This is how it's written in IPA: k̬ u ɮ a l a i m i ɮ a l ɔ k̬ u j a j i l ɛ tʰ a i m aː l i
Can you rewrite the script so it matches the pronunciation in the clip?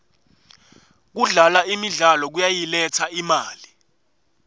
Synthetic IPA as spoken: k̬ u ɮ a l a i m i ɮ a l ɔ k̬ u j a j i l ɛ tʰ a i m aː l i

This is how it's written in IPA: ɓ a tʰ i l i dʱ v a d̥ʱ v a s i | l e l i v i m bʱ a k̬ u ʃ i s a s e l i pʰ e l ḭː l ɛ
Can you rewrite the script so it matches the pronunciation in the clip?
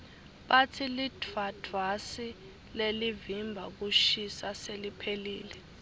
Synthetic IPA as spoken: ɓ a tʰ i l i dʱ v a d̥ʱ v a s i | l e l i v i m bʱ a k̬ u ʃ i s a s e l i pʰ e l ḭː l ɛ

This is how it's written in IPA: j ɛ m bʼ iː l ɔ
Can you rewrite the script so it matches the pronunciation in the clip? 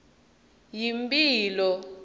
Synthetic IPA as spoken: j i m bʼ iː l ɔ

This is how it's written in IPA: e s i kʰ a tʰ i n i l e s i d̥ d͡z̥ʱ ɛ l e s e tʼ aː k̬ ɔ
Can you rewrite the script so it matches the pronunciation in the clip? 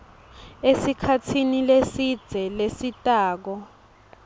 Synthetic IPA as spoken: e s i kʰ a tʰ i n i l e s i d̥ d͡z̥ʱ ɛ l e s i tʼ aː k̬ ɔ

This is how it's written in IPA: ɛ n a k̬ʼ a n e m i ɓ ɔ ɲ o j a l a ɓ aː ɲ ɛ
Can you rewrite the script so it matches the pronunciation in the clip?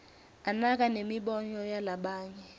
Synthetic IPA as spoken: a n a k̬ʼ a n e m i ɓ ɔ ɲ ɔ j a l a ɓ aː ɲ ɛ

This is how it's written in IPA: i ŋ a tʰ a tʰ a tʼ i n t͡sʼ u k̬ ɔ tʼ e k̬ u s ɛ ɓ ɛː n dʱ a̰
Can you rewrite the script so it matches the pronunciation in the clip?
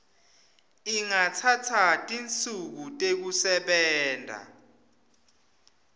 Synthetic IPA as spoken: i ŋ a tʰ a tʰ a tʼ i n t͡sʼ u k̬ u tʼ e k̬ u s ɛ ɓ ɛː n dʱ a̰

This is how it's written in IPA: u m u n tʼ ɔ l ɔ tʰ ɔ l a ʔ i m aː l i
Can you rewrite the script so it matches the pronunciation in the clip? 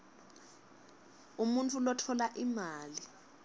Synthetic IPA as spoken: u m u n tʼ u l ɔ tʰ ɔ l a ʔ i m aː l i

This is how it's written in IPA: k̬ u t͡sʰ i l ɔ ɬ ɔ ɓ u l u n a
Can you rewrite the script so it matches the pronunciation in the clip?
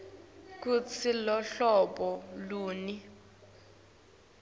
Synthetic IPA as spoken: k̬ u t͡sʰ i l ɔ ɬ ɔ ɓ ɔ l uː n i

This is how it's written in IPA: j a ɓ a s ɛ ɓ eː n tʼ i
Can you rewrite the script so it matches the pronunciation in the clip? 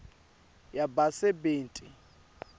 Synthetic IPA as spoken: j a b a s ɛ b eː n tʼ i

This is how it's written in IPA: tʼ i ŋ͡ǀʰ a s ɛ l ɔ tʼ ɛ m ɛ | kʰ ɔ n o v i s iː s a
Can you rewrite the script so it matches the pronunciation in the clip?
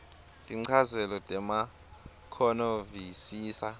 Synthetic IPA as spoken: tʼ i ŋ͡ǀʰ a z ɛ l ɔ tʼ ɛ m a | kʰ ɔ n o v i s iː s a

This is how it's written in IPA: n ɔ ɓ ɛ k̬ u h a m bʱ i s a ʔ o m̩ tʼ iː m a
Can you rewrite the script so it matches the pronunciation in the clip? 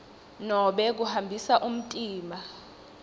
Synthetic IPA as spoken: n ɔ ɓ ɛ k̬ u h a m bʱ i s a ʔ u m̩ tʼ iː m a

